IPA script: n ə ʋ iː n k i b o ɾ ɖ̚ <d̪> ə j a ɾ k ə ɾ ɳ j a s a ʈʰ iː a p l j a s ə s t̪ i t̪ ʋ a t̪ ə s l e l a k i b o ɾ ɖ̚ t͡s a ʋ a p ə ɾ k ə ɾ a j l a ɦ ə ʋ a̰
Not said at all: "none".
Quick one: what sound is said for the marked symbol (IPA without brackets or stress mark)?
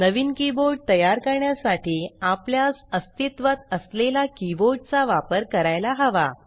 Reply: t̪